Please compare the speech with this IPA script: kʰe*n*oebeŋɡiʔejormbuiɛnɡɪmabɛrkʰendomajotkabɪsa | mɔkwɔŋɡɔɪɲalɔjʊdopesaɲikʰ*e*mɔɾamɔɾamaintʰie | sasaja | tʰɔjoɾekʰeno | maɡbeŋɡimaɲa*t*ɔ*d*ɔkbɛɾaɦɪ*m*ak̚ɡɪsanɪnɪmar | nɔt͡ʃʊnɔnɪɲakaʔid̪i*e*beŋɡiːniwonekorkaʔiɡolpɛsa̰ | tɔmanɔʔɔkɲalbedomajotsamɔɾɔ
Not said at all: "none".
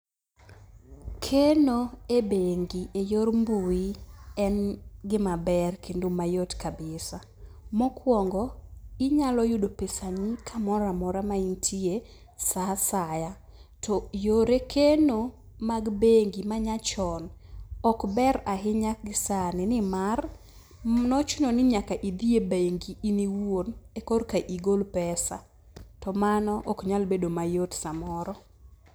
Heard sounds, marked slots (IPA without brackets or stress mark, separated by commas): n, a, t͡ʃ, n, ɲ, e